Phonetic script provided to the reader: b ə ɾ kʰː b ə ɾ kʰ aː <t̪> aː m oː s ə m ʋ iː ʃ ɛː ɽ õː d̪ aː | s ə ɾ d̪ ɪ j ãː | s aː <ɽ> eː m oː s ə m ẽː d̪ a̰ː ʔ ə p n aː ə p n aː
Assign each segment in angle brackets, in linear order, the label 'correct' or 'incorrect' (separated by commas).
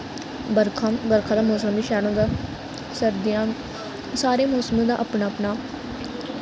incorrect, incorrect